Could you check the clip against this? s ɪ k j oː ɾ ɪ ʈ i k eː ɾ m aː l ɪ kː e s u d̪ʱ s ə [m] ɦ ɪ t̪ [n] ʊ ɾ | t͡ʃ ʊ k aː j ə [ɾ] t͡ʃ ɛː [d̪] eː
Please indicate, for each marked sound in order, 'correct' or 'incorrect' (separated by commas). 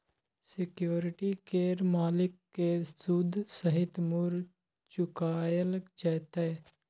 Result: incorrect, incorrect, incorrect, incorrect